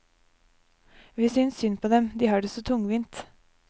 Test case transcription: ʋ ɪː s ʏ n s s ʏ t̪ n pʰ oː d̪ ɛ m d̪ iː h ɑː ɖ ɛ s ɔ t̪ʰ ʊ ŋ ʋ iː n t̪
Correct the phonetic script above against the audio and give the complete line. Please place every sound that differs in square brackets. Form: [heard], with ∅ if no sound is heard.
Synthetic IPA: ʋ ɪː s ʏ n s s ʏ [∅] n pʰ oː d̪ ɛ m d̪ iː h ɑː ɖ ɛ s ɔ t̪ʰ ʊ ŋ ʋ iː n t̪